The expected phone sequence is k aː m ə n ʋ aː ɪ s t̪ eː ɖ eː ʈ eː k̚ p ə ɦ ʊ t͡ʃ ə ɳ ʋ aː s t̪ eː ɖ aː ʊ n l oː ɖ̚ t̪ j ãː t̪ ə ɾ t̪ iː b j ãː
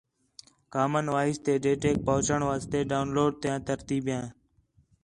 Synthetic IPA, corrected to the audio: k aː m ə n ʋ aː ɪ s t̪ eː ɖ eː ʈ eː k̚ p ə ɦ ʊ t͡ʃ ə ɳ ʋ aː s t̪ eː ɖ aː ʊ n l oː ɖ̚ t̪ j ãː t̪ ə ɾ t̪ iː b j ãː